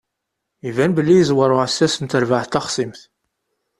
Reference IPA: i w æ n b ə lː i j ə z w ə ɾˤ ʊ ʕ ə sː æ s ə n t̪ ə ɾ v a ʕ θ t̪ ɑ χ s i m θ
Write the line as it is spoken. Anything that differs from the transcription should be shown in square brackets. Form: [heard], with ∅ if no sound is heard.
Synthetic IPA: i [v] æ n b ə lː i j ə z w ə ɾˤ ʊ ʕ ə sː æ s ə n t̪ ə ɾ v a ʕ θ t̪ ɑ χ s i m θ